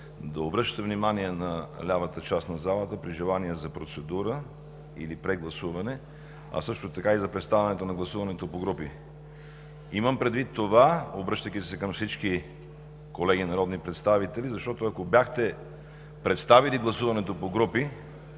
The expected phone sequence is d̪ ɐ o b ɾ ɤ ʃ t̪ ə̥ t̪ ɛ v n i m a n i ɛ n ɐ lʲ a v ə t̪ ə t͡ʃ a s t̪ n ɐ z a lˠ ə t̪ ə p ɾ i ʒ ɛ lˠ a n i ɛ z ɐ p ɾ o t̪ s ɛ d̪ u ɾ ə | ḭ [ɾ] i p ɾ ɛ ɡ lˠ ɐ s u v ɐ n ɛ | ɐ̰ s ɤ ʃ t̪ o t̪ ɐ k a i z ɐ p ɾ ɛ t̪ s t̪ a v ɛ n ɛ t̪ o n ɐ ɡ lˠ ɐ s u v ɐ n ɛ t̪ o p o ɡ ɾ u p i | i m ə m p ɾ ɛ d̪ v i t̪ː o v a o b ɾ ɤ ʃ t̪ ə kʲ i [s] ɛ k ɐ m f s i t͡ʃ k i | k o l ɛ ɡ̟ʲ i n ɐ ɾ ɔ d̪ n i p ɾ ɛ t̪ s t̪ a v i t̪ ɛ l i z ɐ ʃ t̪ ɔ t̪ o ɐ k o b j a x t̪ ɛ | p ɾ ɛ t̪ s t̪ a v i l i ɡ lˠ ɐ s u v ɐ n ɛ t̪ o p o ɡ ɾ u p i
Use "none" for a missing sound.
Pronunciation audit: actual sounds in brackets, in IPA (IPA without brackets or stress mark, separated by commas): l, s